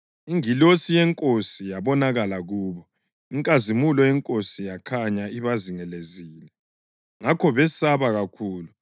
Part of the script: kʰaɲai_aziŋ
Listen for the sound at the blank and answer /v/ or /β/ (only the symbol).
β